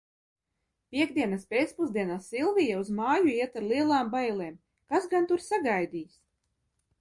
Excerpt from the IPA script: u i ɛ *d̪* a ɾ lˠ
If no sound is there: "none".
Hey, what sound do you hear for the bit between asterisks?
t̪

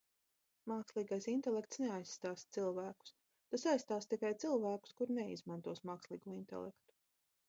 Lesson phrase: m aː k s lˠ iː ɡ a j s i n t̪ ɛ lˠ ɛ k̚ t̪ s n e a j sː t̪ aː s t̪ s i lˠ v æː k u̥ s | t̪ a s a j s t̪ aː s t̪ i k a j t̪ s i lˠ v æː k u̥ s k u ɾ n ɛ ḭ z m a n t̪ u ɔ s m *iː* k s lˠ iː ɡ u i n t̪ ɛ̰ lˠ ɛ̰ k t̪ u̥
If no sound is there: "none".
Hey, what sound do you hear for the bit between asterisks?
aː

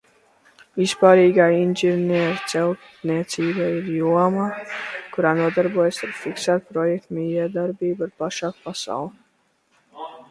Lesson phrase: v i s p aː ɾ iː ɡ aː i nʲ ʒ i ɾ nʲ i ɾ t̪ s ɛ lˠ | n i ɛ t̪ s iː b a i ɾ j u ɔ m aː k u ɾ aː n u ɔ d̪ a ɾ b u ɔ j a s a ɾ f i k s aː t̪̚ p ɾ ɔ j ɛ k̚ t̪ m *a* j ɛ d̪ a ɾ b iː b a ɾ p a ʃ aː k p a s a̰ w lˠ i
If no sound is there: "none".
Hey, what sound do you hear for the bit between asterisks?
i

